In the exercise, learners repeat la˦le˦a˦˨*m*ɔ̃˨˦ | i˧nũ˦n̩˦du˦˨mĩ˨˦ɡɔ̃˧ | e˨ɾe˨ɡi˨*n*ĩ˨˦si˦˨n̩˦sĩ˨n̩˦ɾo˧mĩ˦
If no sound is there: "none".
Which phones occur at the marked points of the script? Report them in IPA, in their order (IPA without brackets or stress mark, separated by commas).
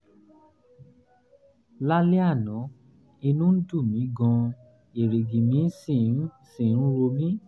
n, m